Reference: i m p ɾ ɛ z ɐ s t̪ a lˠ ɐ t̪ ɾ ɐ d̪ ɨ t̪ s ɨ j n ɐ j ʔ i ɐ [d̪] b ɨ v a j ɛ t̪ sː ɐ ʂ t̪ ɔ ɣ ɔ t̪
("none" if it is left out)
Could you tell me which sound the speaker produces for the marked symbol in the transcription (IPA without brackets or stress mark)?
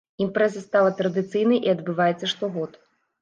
d̪